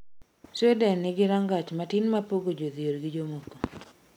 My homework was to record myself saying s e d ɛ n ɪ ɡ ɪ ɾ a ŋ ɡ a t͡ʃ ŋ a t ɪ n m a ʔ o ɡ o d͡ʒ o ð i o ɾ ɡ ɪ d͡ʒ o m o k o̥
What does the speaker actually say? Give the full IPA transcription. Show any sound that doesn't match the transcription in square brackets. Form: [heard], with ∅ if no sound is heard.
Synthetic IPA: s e d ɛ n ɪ ɡ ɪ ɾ a ŋ ɡ a t͡ʃ [m] a t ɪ n m a [p] o ɡ o d͡ʒ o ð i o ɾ ɡ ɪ d͡ʒ o m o k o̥